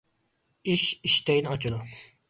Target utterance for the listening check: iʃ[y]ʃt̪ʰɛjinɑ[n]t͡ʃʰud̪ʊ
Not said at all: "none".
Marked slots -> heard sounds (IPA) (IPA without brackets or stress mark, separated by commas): i, none